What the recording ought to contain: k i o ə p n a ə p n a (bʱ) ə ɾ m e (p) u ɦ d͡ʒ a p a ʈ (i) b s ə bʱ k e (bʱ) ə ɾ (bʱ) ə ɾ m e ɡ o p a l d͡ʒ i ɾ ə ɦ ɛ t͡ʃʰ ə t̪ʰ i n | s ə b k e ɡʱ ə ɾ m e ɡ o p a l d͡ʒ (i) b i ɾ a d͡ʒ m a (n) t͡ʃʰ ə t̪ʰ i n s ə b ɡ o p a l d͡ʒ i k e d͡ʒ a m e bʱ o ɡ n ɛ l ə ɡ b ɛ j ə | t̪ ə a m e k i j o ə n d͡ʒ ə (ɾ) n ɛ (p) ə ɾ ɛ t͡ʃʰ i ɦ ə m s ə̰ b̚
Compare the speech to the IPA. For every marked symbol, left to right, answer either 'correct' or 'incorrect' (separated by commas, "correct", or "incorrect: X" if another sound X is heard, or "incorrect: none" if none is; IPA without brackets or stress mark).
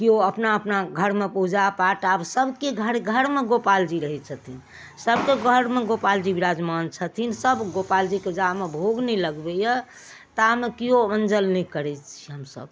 incorrect: ɡʱ, correct, incorrect: a, incorrect: ɡʱ, incorrect: ɡʱ, correct, correct, incorrect: l, incorrect: k